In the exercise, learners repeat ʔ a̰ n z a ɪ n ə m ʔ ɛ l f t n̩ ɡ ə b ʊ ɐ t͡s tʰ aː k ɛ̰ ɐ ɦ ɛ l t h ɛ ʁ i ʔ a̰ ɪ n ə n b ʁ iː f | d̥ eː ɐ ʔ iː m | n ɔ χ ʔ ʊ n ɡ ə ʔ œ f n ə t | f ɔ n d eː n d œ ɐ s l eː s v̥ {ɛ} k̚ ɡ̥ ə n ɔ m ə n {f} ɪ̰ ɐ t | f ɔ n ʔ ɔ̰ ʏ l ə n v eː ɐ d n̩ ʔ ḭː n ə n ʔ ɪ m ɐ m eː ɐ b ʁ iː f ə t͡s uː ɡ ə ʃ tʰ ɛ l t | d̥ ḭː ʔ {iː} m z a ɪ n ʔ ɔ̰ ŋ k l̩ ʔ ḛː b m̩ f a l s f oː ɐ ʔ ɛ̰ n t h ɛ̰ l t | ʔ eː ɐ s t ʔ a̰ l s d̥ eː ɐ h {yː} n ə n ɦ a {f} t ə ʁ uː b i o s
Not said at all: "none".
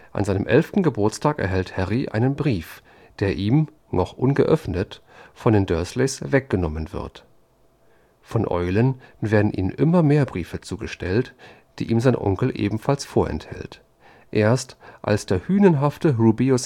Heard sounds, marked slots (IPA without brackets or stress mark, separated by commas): ɛ, v, iː, yː, f